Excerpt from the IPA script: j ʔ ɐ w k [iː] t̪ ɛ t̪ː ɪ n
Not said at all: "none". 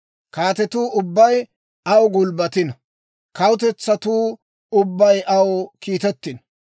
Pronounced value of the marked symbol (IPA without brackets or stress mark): iː